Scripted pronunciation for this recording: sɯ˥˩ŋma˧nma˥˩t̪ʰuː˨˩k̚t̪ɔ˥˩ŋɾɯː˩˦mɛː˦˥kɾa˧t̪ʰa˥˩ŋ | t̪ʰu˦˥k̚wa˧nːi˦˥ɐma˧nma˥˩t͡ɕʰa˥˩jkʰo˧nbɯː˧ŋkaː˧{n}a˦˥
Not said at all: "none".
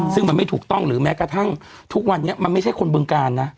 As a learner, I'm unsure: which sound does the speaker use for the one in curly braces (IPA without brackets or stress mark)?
nː